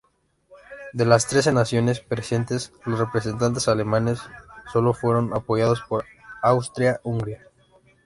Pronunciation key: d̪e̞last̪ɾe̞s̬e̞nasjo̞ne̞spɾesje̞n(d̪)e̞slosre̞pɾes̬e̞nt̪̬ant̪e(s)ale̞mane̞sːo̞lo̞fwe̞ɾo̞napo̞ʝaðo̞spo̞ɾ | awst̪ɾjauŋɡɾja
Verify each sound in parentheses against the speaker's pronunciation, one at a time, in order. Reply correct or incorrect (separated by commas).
incorrect, correct